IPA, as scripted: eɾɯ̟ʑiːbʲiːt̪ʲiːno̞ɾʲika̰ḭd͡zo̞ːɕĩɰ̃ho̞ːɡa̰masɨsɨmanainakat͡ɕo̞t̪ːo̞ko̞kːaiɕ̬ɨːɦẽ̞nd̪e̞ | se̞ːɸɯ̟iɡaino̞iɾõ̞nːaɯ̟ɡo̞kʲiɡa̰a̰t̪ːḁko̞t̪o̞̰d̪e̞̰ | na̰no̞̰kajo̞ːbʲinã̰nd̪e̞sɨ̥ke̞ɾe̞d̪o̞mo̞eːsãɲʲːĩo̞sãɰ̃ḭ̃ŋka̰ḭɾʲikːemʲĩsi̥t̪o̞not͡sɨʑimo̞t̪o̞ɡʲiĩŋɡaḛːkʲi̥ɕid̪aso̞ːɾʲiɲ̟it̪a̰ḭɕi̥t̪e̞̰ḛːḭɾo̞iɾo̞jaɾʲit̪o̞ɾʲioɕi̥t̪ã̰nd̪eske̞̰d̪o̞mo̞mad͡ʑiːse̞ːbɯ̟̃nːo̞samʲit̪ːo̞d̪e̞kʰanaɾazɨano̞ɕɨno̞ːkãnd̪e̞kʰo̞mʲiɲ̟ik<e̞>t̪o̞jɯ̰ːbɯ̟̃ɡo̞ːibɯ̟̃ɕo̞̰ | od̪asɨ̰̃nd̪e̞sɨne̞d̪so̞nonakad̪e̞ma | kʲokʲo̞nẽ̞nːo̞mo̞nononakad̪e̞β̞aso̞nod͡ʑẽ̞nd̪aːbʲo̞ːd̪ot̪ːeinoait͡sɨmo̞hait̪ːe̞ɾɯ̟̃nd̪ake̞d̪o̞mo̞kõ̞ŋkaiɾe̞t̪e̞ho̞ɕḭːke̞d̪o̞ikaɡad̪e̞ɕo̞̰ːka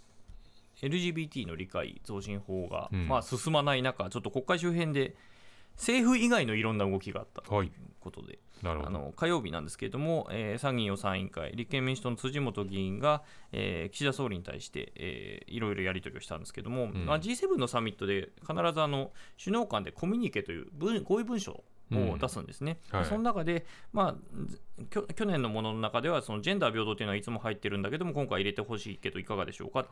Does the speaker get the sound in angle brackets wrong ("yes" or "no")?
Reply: no